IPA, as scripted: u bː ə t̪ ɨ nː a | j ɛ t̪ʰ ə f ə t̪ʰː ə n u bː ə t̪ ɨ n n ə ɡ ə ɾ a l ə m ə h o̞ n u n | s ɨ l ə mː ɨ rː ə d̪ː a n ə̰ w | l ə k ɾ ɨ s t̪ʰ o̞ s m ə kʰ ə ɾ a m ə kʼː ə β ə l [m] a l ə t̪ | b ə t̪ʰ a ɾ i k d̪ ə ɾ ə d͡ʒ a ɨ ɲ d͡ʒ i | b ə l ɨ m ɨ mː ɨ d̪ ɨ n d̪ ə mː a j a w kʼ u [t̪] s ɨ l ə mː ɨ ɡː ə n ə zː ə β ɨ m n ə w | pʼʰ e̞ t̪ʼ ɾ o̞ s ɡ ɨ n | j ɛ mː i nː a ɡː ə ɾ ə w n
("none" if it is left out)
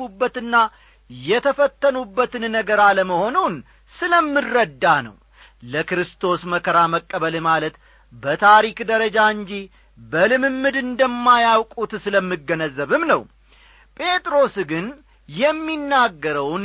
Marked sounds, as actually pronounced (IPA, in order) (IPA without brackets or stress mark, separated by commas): m, t̪